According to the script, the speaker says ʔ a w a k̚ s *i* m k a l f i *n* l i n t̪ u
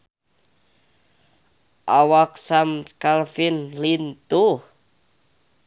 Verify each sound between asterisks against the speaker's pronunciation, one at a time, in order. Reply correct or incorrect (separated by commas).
incorrect, correct